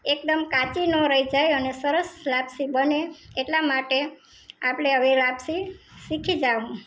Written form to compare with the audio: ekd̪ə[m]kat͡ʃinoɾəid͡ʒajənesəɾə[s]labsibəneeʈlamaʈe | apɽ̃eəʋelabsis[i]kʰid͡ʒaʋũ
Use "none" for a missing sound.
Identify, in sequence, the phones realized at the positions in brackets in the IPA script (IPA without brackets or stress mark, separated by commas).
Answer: m, s, i